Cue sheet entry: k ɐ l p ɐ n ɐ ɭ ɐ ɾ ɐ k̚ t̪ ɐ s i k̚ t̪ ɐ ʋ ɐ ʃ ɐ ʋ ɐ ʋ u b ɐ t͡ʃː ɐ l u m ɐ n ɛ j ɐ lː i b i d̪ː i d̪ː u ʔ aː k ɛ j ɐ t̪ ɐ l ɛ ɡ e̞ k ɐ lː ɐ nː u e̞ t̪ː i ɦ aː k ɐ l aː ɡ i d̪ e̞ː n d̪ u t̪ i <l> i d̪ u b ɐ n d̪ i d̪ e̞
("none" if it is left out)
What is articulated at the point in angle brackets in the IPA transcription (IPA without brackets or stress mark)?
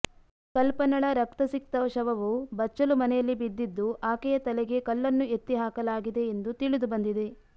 ɭ